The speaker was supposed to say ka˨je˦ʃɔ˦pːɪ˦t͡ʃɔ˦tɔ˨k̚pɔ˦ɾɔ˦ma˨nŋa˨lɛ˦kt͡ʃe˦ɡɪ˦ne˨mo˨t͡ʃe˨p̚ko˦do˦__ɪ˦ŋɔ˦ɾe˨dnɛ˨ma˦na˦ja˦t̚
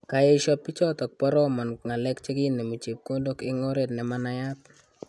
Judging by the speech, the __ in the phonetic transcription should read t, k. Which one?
k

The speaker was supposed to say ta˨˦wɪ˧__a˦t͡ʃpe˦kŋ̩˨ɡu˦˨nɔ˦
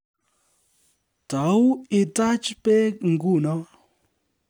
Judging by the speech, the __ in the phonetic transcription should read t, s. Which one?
t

